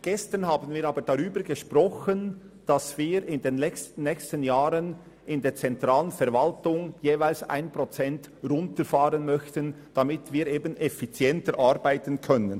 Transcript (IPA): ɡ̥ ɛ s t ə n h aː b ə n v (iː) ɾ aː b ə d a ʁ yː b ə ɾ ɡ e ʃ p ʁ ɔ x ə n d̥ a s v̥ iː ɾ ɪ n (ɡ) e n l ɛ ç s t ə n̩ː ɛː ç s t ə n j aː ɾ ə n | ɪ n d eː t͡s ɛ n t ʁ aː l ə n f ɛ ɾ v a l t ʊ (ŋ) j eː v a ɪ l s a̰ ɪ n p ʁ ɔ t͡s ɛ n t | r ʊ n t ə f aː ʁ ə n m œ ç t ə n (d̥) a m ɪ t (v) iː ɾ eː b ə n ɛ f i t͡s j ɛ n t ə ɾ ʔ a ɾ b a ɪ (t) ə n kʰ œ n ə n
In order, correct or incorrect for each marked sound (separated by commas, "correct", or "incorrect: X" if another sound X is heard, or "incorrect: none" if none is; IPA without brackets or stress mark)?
correct, incorrect: d, correct, correct, correct, correct